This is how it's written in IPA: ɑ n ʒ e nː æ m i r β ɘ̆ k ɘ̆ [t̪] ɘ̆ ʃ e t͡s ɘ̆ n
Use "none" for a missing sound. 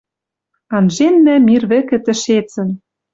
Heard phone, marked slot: t̪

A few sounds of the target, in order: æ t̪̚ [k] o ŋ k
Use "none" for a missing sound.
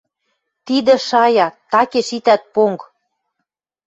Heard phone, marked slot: p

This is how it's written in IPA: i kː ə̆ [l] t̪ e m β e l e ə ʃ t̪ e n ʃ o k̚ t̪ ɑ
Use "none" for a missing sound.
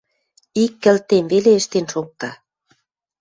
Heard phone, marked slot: l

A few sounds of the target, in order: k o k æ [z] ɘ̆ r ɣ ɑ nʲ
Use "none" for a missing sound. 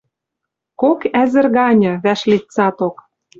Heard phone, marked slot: z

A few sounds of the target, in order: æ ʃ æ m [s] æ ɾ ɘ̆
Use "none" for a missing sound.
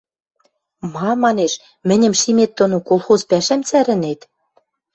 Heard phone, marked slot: t͡s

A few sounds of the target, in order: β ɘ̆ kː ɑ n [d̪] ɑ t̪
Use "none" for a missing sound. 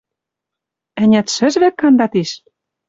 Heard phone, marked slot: d̪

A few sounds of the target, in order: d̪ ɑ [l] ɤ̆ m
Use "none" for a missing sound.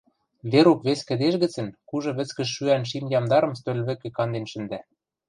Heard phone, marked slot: ɾ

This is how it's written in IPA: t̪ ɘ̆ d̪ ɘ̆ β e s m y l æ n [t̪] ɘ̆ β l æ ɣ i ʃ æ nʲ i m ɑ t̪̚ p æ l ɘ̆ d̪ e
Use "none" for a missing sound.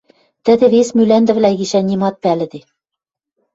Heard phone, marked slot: d̪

